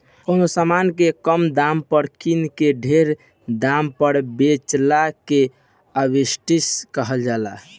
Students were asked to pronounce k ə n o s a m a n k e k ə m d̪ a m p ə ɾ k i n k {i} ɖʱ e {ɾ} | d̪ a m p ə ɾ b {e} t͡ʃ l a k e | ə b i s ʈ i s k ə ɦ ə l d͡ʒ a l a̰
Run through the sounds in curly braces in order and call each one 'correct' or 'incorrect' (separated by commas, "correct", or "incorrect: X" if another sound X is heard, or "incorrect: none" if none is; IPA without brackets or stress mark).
incorrect: e, correct, correct